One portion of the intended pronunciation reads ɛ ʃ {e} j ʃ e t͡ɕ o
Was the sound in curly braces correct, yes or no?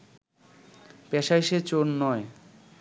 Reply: no